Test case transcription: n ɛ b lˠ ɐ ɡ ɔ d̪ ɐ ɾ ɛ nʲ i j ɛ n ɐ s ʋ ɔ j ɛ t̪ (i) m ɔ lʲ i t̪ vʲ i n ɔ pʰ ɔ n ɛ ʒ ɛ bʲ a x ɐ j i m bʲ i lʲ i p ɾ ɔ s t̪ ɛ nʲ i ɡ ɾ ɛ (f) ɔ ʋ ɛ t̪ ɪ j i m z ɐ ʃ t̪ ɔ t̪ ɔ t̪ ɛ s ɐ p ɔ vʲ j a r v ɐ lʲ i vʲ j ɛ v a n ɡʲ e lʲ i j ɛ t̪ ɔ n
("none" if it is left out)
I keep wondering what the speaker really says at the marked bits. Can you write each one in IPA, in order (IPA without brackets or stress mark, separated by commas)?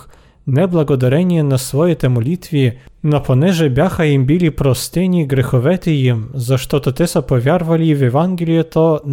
ɛ, x